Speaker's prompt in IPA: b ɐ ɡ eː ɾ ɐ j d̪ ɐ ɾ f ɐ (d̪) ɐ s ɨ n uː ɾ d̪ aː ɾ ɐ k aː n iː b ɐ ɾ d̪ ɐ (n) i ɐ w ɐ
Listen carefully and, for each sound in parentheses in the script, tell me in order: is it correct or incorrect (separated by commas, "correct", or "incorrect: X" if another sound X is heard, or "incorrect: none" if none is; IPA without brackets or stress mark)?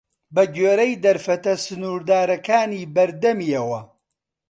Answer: incorrect: t̪, incorrect: m